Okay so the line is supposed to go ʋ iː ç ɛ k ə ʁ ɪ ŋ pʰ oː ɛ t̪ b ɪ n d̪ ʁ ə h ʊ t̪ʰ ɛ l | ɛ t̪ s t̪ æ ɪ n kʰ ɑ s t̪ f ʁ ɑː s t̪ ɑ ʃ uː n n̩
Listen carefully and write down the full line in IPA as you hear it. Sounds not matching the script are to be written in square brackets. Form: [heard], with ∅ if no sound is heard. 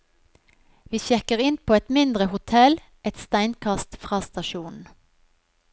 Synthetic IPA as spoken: ʋ iː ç ɛ k ə ʁ ɪ [n] pʰ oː ɛ t̪ [m] ɪ n d̪ ʁ ə h ʊ t̪ʰ ɛ l | ɛ t̪ s t̪ æ ɪ n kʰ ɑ s t̪ f ʁ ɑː s t̪ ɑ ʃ uː n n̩